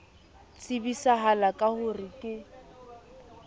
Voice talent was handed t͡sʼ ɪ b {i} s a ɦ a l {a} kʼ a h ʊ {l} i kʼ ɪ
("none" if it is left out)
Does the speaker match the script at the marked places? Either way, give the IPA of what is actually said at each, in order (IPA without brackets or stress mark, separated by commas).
i, a, r